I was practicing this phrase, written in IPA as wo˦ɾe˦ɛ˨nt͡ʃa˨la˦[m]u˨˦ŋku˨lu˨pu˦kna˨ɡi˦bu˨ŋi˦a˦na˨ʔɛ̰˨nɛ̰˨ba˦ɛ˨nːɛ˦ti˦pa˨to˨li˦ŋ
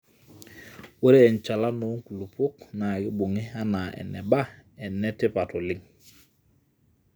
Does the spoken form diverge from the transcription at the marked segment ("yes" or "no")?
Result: yes